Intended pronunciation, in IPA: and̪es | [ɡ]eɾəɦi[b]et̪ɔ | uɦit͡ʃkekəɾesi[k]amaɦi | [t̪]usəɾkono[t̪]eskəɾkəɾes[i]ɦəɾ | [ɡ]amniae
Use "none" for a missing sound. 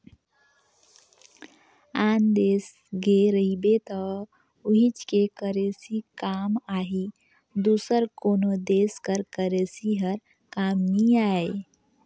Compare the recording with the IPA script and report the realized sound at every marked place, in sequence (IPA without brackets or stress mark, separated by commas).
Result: ɡ, b, k, d̪, d̪, i, k